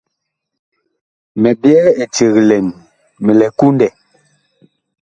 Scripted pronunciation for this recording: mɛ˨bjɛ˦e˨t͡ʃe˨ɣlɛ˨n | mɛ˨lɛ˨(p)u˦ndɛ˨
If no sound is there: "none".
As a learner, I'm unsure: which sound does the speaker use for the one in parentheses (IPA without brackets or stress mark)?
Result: k